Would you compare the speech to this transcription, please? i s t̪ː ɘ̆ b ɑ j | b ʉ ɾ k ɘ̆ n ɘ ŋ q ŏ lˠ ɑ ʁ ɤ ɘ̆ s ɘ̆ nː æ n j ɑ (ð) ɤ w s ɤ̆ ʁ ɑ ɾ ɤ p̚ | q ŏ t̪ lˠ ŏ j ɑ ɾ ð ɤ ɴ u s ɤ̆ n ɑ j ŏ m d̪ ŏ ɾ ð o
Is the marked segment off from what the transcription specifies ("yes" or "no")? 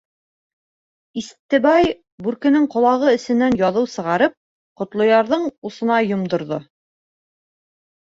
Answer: no